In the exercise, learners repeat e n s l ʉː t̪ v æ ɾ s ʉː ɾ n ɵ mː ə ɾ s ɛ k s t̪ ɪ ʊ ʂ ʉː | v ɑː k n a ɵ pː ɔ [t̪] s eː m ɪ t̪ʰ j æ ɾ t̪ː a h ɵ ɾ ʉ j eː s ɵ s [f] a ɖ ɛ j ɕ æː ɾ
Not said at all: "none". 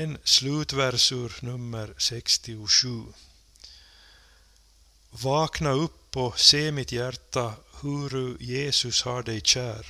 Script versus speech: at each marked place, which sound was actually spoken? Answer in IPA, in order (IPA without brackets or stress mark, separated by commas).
none, h